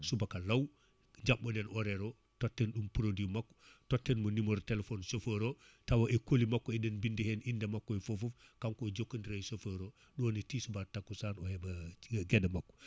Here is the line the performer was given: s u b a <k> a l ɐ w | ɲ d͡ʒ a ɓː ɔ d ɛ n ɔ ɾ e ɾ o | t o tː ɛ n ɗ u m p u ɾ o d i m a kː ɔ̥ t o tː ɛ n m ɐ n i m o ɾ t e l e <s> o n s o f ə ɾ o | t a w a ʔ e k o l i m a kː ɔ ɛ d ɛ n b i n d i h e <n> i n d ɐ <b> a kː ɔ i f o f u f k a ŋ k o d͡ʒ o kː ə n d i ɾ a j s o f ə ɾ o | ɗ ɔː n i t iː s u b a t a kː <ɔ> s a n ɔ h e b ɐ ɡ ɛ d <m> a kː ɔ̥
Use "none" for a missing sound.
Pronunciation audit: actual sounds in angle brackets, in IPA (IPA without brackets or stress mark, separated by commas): k, f, n, m, u, m